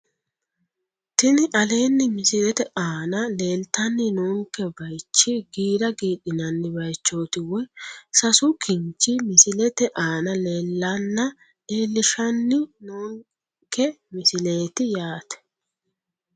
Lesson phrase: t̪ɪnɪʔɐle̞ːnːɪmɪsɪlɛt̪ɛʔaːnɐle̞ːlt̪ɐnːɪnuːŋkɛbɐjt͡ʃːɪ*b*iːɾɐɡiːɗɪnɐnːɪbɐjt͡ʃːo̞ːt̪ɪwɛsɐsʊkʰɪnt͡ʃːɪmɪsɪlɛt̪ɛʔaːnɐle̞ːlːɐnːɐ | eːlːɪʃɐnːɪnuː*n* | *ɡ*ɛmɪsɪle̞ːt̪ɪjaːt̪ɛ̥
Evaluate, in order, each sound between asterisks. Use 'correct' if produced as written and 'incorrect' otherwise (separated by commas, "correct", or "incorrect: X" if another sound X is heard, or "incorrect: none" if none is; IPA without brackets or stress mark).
incorrect: ɡ, incorrect: ŋ, incorrect: k